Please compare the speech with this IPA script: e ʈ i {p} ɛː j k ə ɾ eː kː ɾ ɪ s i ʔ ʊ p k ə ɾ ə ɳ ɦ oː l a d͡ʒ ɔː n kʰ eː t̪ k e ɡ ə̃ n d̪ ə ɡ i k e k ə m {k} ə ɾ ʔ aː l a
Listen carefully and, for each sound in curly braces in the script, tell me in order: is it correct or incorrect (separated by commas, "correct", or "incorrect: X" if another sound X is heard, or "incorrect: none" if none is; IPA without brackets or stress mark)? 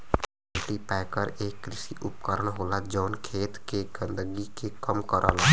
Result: correct, correct